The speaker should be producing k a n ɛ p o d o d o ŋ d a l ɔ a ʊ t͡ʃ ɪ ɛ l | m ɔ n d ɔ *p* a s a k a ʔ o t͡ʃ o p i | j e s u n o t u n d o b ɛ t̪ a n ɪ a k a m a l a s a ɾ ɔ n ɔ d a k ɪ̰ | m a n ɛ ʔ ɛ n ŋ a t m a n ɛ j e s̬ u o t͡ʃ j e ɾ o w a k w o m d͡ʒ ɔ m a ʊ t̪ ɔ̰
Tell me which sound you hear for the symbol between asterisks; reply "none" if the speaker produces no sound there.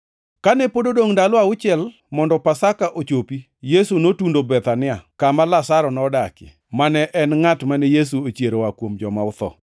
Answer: p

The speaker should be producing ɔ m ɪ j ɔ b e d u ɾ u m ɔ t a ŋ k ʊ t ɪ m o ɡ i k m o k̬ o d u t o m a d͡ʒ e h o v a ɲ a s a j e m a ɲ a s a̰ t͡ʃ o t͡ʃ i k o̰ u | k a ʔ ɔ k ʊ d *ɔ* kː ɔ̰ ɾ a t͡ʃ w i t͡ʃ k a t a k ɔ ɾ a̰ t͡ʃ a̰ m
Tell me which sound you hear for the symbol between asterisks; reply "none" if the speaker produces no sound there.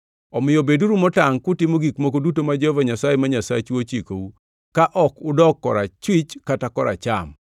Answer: ɔ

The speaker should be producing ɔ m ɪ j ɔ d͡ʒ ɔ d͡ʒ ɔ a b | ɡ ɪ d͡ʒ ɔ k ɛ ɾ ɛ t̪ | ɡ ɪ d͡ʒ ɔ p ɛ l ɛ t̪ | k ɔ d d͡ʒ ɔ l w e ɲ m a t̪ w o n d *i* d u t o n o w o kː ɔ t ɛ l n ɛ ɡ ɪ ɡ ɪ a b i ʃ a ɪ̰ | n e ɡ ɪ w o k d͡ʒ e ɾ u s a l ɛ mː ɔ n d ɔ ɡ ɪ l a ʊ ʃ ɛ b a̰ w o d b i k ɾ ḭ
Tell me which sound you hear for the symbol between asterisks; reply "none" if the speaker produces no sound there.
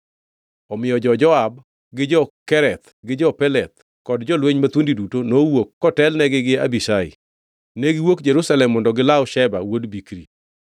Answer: i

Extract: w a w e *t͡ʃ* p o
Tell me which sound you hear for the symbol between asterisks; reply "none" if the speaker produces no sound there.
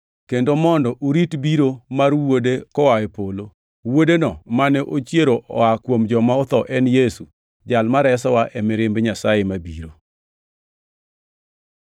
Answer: none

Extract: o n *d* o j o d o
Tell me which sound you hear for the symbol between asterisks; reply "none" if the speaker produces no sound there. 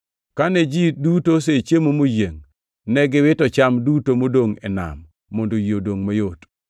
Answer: d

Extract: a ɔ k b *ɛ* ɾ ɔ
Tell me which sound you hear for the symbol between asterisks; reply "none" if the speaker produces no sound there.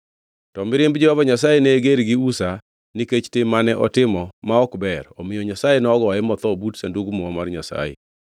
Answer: ɛ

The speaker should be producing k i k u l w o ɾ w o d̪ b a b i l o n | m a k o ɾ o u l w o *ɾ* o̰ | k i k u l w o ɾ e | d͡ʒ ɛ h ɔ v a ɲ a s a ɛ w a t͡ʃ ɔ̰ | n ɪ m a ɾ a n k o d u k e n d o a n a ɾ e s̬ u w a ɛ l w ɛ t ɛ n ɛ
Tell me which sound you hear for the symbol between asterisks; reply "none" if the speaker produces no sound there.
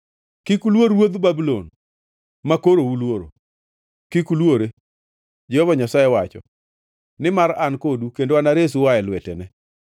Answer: ɾ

